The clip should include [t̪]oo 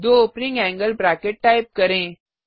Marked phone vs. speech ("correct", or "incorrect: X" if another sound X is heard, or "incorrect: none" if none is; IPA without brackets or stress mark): incorrect: d̪